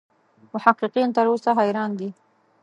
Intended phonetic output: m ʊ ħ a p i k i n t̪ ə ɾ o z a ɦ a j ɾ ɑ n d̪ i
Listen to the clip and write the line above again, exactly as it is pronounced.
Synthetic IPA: m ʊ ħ a q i q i n t̪ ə ɾ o s a ɦ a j ɾ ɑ n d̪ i